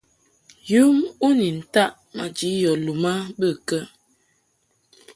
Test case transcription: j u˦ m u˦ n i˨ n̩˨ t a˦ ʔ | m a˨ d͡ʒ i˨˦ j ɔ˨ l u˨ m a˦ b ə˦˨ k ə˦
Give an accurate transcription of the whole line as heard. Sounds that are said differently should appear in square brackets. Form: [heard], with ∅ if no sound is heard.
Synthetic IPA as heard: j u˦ m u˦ n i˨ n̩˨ t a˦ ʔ | m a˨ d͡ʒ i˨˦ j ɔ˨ l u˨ m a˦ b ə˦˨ k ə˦